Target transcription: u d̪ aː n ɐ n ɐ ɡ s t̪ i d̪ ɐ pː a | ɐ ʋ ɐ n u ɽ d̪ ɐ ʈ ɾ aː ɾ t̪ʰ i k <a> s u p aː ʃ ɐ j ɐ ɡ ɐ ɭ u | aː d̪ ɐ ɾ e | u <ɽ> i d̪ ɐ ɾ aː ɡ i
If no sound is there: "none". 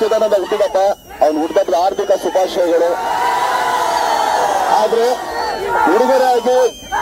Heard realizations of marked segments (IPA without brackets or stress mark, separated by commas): ɐ, ɽ